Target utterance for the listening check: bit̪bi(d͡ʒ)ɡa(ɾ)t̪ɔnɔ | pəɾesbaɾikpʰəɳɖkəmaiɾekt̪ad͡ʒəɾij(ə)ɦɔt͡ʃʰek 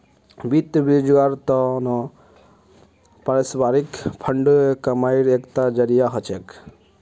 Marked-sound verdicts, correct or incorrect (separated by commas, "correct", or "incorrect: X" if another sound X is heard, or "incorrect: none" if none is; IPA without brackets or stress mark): correct, correct, incorrect: a